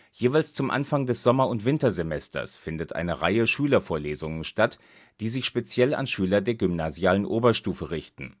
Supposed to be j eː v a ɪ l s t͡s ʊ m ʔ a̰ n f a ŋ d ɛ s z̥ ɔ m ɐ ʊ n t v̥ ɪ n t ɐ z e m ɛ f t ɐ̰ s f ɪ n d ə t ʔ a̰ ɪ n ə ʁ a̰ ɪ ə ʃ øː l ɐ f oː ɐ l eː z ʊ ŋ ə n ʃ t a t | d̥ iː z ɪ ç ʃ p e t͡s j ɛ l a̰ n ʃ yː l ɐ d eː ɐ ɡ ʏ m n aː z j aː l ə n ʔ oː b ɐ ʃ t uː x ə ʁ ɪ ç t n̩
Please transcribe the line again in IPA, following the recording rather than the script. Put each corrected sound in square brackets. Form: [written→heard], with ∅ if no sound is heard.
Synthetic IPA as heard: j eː v a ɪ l s t͡s ʊ m ʔ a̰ n f a ŋ d ɛ s z̥ ɔ m ɐ ʊ n t v̥ ɪ n t ɐ z e m ɛ [f→s] t ɐ̰ s f ɪ n d ə t ʔ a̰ ɪ n ə ʁ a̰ ɪ ə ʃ [øː→yː] l ɐ f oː ɐ l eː z ʊ ŋ ə n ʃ t a t | d̥ iː z ɪ ç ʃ p e t͡s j ɛ l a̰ n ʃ yː l ɐ d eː ɐ ɡ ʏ m n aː z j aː l ə n ʔ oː b ɐ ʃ t uː [x→f] ə ʁ ɪ ç t n̩